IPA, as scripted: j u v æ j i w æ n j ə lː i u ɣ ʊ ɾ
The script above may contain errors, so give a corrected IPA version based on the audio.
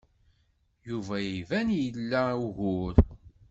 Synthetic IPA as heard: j u v æ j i v æ n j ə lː æ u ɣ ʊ ɾ

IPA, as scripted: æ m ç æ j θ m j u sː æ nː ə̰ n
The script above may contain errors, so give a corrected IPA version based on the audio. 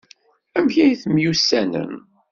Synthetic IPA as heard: æ m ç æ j θ m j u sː æ n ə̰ n

